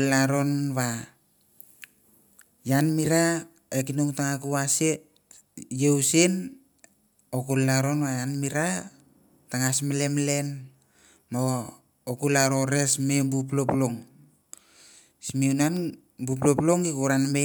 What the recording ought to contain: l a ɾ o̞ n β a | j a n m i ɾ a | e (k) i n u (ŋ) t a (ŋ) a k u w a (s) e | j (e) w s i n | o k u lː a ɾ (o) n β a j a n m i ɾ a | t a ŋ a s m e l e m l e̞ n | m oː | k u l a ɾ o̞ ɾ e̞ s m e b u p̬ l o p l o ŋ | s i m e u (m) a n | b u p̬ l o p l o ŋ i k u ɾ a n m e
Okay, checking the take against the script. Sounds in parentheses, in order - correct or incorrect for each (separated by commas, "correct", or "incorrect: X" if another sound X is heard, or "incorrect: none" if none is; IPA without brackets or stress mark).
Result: correct, correct, correct, correct, correct, correct, incorrect: n